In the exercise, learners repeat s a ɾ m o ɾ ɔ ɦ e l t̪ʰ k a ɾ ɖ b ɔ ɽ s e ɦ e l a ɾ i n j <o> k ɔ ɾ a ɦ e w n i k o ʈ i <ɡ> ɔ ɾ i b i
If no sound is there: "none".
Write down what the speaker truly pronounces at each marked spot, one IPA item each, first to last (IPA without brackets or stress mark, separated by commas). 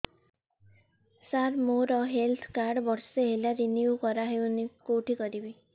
u, k